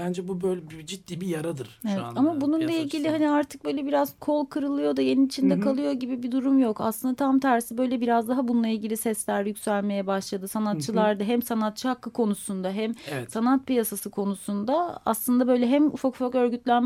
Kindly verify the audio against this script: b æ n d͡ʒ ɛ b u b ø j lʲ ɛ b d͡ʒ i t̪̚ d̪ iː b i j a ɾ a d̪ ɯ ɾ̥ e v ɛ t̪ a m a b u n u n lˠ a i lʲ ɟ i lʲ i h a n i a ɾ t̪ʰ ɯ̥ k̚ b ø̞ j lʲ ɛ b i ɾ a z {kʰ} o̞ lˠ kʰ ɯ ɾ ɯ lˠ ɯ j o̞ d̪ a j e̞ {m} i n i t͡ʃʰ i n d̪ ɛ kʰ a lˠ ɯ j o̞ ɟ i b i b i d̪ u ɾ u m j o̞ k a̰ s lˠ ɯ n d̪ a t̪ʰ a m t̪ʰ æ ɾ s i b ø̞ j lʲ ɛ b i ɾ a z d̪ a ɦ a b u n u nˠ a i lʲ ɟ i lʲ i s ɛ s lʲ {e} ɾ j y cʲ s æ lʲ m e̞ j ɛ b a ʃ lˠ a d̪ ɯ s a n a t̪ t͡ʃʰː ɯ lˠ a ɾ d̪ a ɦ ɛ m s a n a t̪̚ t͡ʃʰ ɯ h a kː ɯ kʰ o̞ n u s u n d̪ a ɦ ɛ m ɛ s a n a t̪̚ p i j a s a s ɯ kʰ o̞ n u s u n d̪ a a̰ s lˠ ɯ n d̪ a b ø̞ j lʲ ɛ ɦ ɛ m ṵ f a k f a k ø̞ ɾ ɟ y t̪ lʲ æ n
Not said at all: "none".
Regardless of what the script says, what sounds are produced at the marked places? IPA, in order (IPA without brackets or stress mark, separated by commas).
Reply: kʰ, n, æ